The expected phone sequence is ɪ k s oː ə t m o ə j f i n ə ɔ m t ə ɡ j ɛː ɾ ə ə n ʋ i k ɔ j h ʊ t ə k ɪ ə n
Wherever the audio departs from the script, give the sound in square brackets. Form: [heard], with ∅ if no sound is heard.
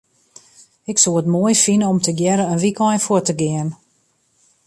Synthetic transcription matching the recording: ɪ k s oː ə t m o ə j f i n ə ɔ m t ə ɡ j [ɛ] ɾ ə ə n ʋ i k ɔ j [f] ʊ t ə [ɡ] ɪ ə n